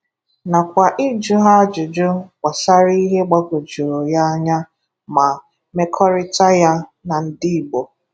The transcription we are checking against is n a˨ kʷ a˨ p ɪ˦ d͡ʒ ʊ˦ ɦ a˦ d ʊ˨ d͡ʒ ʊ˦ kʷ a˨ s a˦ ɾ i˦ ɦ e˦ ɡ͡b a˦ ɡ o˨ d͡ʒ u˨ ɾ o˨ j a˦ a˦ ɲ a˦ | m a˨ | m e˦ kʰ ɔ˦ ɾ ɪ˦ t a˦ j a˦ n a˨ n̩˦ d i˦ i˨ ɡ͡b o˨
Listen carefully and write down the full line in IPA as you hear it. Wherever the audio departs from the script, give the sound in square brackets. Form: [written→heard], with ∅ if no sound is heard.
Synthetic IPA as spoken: n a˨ kʷ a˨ [p→ʔ] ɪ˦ d͡ʒ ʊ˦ ɦ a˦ [d→d͡ʒ] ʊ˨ d͡ʒ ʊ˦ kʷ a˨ s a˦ ɾ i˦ ɦ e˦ ɡ͡b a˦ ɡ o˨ d͡ʒ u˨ ɾ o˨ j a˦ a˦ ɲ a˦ | m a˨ | m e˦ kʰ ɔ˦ ɾ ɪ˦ t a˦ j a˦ n a˨ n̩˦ d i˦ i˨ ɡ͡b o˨